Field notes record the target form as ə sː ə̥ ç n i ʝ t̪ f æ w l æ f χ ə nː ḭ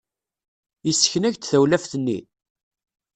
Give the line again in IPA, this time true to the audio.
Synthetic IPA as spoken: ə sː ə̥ ç n æ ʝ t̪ θ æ w l æ f θ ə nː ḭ